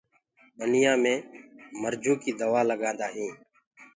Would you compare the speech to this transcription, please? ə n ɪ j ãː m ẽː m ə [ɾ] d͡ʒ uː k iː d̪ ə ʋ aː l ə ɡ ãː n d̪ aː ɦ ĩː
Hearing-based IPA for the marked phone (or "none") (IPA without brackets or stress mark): ɾ